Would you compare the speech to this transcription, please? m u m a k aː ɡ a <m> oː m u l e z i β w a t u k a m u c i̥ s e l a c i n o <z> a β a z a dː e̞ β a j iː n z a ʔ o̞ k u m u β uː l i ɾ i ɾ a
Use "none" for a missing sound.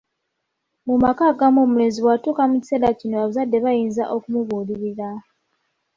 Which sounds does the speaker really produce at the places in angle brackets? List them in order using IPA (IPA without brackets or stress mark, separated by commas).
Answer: m, none